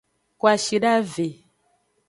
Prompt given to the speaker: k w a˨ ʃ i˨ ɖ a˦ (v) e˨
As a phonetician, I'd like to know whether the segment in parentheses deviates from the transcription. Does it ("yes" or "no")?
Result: no